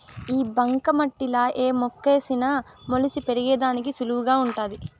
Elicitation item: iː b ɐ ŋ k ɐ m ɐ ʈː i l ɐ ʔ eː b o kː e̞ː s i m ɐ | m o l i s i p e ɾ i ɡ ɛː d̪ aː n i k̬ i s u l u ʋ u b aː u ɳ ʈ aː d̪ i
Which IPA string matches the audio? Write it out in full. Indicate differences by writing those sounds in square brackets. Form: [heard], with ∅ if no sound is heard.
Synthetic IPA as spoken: iː b ɐ ŋ k ɐ m ɐ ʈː i l ɐ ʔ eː [m] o kː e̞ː s i [n] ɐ | m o l i s i p e ɾ i ɡ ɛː d̪ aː n i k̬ i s u l u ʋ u [ɡ] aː u ɳ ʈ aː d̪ i